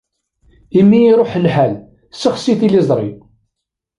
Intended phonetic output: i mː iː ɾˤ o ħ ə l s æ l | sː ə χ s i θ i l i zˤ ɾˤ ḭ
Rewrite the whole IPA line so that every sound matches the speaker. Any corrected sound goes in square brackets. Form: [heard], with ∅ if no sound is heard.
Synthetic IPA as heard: i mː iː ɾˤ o ħ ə l [ħ] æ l | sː ə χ s i θ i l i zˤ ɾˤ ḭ